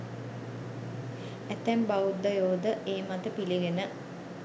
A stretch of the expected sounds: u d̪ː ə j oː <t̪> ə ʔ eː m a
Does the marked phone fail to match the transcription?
yes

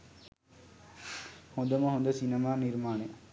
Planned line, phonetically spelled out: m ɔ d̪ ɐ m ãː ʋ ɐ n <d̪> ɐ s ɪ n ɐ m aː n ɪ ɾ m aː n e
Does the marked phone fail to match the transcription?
no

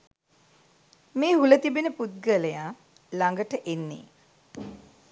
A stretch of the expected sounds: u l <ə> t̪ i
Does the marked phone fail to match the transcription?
no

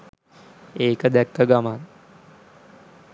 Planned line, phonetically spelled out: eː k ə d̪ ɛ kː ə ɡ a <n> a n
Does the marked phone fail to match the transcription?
yes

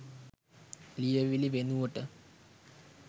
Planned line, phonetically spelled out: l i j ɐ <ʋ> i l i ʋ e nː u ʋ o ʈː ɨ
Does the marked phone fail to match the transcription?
no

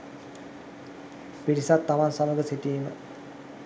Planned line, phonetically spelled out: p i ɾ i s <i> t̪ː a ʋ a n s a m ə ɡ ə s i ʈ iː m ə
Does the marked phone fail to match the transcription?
yes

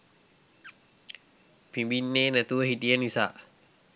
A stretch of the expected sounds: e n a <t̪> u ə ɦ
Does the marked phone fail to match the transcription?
no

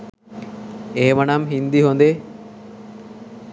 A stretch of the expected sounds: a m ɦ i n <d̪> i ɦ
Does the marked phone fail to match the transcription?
no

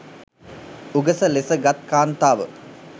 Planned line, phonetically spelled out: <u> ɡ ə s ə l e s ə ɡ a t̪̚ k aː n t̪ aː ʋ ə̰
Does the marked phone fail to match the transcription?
no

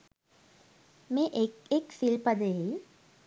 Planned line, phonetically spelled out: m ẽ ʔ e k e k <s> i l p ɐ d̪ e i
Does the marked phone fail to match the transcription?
no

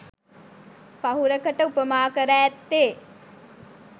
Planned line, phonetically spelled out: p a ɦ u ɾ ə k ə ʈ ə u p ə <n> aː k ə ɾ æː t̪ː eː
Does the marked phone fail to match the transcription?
yes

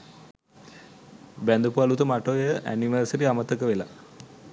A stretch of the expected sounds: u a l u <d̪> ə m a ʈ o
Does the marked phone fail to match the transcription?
yes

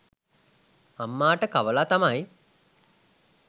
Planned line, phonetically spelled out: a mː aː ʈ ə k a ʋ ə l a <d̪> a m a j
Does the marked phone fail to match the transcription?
yes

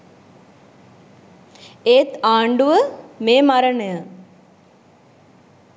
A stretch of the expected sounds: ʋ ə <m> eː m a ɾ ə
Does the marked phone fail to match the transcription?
no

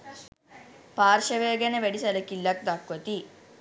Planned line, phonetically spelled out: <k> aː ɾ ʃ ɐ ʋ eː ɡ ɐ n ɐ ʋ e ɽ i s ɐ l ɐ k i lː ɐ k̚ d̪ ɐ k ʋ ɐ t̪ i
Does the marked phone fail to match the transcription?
yes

